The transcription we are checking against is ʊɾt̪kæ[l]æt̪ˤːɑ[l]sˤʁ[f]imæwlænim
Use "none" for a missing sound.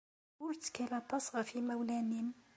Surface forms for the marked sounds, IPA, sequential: l, none, f

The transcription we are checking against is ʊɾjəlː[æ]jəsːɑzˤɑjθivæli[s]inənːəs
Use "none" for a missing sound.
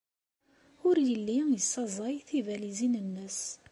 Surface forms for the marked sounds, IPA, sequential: i, z

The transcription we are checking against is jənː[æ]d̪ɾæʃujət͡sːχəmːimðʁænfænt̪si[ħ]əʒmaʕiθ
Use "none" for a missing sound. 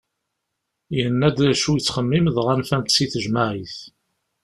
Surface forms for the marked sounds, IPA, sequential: æ, θ

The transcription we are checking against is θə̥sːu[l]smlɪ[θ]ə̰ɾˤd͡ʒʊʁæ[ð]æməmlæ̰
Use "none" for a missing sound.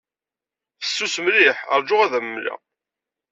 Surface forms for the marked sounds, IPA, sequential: none, ħ, ð

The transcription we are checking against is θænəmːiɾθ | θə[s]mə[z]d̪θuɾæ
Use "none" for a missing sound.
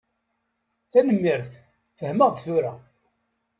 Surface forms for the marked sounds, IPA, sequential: h, ʁ

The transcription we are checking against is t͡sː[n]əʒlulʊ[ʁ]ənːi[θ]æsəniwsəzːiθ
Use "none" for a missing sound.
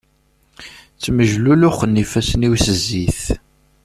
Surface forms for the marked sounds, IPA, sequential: m, χ, f

